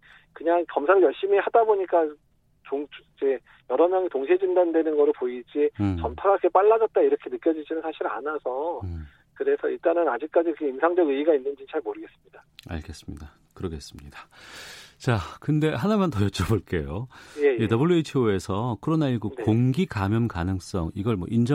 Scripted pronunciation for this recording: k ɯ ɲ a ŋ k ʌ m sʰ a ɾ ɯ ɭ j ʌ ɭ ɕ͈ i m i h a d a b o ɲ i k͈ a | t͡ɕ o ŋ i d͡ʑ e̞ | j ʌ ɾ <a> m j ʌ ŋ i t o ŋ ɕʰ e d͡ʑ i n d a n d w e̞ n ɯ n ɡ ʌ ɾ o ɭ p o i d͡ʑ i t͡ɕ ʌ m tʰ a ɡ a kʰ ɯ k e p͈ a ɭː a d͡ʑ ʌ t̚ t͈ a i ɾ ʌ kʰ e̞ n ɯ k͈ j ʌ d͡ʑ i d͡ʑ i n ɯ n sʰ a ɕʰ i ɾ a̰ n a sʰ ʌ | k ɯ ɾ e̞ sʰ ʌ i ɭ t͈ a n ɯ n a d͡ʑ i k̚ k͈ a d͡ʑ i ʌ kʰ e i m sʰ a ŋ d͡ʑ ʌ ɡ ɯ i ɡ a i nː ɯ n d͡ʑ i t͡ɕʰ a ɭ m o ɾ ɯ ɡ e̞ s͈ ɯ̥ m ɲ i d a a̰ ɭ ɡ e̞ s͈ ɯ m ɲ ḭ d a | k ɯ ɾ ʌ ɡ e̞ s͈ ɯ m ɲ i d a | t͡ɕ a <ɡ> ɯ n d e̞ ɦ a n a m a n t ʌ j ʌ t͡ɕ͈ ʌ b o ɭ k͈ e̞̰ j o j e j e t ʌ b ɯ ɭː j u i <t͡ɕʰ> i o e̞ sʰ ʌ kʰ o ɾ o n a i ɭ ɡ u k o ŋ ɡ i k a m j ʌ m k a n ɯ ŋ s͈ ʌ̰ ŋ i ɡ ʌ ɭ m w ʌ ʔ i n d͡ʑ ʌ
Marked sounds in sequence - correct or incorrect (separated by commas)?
incorrect, incorrect, correct